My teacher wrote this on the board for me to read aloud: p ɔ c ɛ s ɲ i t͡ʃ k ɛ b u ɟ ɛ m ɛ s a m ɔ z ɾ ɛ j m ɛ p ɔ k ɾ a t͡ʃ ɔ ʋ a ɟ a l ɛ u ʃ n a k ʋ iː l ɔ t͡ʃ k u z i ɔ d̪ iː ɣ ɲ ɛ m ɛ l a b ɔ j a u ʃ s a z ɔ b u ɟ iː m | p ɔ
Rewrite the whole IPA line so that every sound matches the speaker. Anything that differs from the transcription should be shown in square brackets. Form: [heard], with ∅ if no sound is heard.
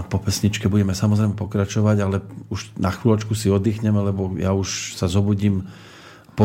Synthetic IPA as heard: p ɔ [p] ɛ s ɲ i t͡ʃ k ɛ b u ɟ ɛ m ɛ s a m ɔ z ɾ ɛ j m ɛ p ɔ k ɾ a t͡ʃ ɔ ʋ a ɟ a l ɛ u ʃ n a [x] ʋ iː l ɔ t͡ʃ k u [s] i ɔ d̪ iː [x] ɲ ɛ m ɛ l [ɛ] b ɔ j a u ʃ s a z ɔ b u ɟ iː m | p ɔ